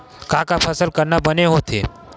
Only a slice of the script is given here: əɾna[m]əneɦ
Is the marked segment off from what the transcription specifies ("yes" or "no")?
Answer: yes